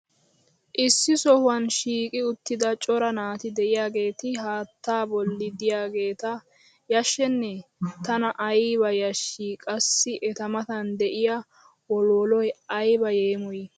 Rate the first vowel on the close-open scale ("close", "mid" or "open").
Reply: close